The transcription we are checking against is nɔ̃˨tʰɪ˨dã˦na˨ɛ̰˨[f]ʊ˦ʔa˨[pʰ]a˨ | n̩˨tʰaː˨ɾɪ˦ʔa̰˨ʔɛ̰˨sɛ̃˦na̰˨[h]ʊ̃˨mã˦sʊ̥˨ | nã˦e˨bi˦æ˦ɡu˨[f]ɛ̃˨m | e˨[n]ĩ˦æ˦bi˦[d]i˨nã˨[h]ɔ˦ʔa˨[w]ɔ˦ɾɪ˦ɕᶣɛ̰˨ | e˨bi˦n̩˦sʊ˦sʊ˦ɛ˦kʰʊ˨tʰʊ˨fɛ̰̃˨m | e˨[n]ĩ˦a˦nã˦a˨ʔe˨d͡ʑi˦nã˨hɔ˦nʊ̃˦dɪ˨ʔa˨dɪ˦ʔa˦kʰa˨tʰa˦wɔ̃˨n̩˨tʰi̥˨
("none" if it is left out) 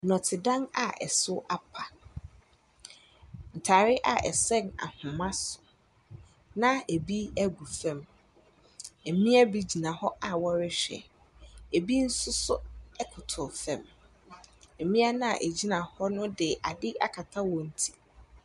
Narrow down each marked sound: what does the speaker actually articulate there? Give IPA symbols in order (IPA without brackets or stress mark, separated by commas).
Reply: s, pʰ, h, f, m, d͡ʑ, h, w, m